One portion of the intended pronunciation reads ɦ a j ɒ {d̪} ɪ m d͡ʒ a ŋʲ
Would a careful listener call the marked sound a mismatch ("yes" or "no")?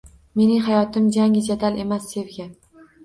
yes